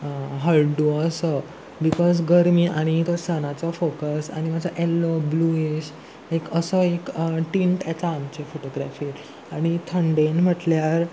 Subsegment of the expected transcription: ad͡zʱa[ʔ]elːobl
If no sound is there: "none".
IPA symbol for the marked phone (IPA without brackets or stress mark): ʔ